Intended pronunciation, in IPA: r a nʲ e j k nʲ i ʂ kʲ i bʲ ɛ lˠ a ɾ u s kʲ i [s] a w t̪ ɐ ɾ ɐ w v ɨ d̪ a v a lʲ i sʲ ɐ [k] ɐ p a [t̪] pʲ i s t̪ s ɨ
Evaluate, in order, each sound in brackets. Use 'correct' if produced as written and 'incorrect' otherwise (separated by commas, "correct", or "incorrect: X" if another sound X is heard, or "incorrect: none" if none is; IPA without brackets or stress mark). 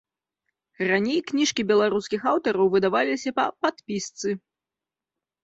incorrect: x, incorrect: p, correct